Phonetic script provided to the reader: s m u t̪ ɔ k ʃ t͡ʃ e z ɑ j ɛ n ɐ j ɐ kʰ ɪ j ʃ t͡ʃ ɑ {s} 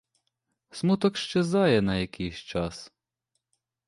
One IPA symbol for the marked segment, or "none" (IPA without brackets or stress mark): s